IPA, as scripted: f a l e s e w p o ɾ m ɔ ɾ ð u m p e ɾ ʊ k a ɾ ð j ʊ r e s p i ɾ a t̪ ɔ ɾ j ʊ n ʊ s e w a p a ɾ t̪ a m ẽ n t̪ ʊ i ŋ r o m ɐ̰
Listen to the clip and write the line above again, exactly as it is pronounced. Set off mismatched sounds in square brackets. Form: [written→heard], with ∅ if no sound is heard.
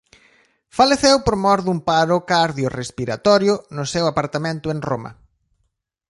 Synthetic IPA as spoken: f a l e [s→θ] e w p o ɾ m ɔ ɾ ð u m p [e→a] ɾ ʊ k a ɾ ð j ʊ r e s p i ɾ a t̪ ɔ ɾ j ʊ n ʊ s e w a p a ɾ t̪ a m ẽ n t̪ ʊ [i→e] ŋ r o m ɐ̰